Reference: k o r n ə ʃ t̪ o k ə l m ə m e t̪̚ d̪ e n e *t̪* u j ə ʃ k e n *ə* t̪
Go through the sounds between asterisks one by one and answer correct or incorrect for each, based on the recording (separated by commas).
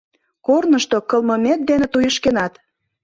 correct, incorrect